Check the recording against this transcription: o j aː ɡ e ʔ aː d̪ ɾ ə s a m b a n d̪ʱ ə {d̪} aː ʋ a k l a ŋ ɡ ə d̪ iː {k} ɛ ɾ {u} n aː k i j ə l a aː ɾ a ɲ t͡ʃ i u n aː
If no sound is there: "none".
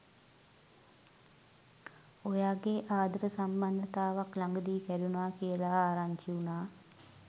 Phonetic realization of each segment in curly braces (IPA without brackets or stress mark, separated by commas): t̪, k, u